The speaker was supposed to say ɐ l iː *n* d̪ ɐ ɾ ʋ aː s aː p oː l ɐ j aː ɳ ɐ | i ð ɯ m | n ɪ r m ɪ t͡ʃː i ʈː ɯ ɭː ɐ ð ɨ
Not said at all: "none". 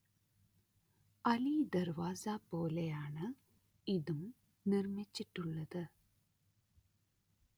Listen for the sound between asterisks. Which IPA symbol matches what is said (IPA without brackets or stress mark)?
none